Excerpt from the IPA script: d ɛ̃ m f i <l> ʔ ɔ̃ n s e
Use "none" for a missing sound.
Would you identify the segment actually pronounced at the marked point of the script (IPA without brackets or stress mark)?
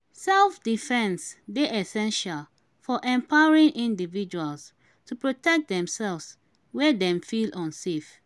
l